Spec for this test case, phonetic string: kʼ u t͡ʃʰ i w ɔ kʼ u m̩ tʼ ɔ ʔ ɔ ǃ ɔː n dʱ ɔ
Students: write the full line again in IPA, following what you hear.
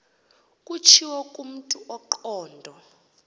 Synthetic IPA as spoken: kʼ u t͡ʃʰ i w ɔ kʼ u m̩ tʼ u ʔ ɔ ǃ ɔː n dʱ ɔ